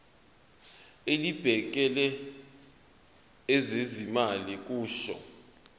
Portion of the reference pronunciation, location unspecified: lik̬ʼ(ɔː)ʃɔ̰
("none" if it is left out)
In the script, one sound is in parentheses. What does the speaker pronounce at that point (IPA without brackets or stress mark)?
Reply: uː